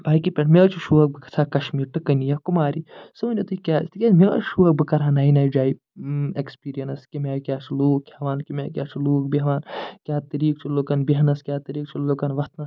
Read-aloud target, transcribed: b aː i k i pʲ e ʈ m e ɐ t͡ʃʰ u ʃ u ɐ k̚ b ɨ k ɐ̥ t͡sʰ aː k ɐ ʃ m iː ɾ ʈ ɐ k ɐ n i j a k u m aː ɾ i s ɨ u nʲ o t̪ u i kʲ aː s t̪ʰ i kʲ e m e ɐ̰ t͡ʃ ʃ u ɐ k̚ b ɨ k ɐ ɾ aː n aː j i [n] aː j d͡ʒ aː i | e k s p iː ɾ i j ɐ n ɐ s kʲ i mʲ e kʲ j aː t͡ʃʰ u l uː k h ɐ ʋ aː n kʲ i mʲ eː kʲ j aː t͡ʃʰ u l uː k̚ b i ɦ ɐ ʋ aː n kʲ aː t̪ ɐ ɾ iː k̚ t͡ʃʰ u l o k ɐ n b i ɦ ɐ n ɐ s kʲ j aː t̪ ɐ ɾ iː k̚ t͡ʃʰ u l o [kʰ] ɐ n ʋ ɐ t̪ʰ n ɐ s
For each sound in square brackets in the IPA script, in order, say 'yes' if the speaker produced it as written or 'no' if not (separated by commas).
yes, no